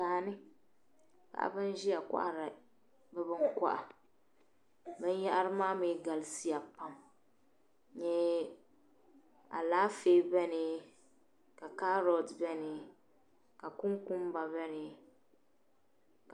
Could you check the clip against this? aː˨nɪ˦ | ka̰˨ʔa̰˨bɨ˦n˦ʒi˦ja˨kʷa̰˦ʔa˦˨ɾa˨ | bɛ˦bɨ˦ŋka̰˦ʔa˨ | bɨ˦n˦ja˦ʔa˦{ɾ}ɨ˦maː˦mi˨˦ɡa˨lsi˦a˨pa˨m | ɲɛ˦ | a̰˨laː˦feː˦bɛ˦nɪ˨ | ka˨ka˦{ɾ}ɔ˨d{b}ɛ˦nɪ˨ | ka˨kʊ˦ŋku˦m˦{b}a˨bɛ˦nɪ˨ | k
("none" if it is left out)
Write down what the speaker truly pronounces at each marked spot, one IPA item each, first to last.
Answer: ɾ, ɾ, b, b

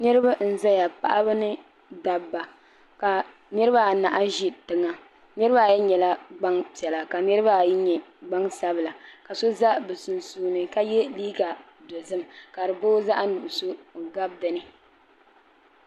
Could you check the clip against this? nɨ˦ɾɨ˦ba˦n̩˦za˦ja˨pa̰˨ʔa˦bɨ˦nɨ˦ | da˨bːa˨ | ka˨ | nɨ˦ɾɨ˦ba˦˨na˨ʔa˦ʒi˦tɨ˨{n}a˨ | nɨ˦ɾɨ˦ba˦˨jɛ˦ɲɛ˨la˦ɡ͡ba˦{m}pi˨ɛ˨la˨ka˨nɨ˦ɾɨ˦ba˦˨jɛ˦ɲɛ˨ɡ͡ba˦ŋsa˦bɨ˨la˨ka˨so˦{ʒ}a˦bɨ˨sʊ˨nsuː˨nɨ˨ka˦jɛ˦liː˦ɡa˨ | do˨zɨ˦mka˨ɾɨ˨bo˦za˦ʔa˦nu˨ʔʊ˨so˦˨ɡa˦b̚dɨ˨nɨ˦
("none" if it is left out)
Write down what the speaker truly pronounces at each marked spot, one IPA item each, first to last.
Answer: ŋ, ŋ, z

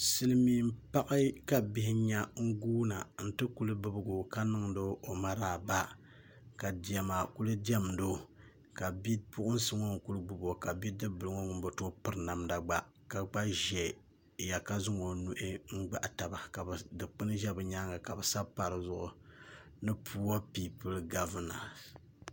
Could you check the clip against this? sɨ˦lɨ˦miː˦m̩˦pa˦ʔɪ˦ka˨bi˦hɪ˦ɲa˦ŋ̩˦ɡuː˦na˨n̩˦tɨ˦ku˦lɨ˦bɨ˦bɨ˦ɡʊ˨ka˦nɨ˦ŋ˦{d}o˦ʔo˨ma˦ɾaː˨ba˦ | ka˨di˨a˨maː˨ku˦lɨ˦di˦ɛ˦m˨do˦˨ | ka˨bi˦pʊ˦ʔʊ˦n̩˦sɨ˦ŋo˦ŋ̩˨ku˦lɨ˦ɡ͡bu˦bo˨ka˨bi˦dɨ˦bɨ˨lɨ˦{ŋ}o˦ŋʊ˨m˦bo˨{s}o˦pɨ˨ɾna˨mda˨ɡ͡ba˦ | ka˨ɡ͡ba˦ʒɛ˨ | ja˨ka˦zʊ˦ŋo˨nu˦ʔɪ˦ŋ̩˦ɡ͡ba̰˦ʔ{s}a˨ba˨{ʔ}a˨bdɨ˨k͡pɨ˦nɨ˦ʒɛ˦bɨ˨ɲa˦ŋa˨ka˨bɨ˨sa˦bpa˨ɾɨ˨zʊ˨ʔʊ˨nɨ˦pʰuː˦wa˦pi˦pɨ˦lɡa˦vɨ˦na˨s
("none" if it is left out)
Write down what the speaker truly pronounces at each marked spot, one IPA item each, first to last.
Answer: d, ŋ, t, t, k

